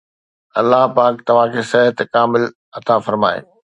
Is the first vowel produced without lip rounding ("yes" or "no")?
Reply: yes